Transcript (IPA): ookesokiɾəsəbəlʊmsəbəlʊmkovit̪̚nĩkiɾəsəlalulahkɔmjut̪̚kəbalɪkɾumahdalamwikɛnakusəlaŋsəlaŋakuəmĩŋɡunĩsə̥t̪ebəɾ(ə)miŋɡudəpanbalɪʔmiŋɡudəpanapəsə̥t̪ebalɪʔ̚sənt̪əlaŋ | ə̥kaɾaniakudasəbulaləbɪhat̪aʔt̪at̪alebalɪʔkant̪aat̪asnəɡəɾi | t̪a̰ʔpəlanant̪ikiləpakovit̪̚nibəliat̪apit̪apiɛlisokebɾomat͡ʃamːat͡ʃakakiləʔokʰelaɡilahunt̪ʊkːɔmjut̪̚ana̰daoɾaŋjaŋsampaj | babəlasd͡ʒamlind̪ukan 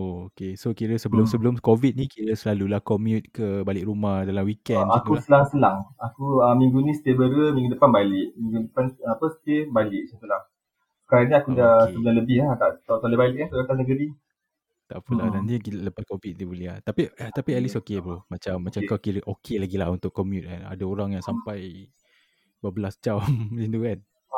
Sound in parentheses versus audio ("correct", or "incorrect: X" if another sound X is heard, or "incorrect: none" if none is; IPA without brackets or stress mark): correct